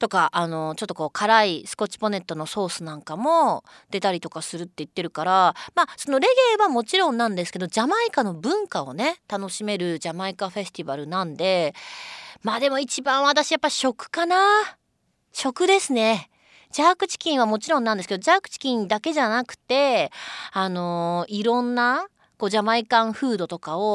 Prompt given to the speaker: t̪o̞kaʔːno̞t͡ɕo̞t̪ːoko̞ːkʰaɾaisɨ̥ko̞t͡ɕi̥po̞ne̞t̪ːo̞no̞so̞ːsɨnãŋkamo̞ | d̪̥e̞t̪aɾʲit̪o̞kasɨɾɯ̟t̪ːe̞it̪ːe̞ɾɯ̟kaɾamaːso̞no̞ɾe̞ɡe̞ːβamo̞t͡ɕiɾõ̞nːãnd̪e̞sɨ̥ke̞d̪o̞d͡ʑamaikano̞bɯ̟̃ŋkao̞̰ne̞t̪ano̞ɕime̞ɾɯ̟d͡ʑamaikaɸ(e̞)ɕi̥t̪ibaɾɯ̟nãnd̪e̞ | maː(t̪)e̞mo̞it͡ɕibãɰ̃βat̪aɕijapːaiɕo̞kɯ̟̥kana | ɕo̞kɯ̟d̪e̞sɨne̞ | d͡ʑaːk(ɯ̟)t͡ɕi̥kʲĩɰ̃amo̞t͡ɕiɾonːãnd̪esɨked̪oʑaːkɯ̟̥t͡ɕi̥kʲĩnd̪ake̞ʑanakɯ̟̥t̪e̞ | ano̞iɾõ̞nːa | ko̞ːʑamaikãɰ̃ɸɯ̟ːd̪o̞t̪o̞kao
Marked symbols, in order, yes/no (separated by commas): yes, no, yes